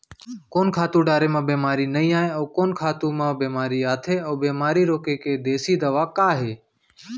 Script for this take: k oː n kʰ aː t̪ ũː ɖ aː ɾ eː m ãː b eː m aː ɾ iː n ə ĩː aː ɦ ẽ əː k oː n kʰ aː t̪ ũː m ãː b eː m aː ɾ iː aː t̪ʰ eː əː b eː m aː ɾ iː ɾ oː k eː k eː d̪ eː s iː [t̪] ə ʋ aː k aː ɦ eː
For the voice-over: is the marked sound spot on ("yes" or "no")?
no